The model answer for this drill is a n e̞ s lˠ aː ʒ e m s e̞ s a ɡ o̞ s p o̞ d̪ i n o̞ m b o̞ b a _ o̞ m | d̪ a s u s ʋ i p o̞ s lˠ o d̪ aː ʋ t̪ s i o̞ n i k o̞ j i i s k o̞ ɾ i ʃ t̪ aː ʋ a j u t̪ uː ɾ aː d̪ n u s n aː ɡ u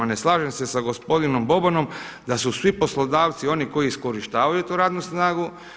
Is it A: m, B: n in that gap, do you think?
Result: B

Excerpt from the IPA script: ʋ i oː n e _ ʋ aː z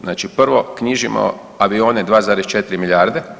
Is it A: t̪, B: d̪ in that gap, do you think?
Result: B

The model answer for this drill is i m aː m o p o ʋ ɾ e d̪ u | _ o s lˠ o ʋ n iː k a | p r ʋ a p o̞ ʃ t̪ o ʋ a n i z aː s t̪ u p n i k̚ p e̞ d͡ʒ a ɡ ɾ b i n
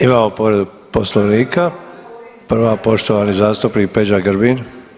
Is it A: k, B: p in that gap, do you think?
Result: B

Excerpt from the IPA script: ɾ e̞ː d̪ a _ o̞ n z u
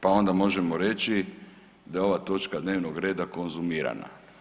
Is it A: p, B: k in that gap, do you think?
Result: B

